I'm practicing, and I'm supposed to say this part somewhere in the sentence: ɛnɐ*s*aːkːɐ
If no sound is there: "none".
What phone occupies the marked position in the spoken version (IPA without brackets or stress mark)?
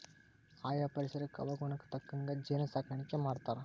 s